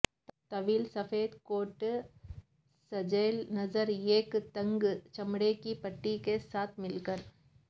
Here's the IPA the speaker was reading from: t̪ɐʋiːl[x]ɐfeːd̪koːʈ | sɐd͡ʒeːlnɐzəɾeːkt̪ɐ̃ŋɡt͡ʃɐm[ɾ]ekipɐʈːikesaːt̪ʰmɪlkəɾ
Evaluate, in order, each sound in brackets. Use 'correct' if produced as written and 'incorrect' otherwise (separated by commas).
incorrect, incorrect